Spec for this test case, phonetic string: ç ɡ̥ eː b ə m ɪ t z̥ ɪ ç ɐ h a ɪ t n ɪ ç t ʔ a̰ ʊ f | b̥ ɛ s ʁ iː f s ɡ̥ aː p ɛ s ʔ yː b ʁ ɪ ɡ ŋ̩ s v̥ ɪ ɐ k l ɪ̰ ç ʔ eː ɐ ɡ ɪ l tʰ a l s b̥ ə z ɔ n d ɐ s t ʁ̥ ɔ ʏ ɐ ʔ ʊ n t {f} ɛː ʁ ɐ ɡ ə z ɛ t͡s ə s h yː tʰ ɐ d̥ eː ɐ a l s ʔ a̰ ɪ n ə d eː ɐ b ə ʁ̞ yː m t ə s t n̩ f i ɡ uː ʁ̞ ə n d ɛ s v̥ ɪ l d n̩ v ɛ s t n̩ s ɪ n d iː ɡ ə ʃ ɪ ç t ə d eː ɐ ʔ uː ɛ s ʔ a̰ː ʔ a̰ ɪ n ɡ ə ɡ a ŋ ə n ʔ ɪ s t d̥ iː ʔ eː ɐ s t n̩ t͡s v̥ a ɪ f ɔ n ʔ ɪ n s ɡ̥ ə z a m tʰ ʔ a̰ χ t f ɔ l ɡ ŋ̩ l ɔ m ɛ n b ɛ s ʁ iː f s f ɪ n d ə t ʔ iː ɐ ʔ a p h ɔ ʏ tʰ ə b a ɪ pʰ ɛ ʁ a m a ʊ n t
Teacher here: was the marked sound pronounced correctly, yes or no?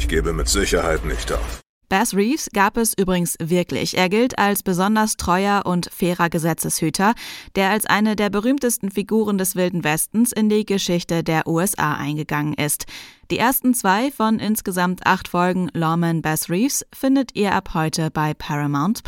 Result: yes